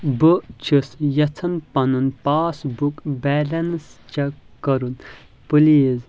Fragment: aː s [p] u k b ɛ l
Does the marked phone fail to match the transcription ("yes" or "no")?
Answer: yes